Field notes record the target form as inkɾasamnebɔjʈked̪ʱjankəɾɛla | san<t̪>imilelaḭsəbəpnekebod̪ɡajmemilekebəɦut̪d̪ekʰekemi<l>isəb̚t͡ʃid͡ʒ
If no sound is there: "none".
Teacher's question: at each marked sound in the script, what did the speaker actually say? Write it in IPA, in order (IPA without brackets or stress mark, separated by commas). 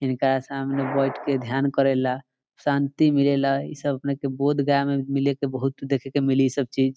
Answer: t̪, l